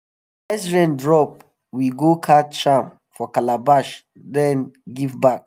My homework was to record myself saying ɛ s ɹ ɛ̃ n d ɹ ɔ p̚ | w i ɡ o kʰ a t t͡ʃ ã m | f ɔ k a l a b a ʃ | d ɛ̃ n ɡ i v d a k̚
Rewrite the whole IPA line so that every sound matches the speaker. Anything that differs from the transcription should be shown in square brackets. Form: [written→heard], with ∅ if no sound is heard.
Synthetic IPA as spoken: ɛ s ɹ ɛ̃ n d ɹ ɔ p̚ | w i ɡ o kʰ a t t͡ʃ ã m | f ɔ k a l a b a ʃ | d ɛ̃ n ɡ i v [d→b] a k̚